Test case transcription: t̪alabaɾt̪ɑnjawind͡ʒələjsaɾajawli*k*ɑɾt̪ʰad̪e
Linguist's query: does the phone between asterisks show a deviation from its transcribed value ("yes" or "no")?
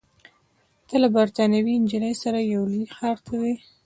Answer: yes